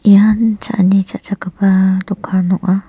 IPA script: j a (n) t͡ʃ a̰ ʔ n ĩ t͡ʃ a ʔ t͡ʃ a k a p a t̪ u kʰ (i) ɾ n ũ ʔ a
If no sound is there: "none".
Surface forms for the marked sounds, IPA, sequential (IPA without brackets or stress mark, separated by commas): n, a